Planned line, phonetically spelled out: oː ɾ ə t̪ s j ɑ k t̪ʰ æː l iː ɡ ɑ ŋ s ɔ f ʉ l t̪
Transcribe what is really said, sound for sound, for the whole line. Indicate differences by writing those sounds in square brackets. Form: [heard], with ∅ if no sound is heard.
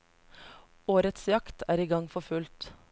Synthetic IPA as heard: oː ɾ ə t̪ s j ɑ k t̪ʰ æː [ɾ] iː ɡ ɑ ŋ [f] ɔ f ʉ l t̪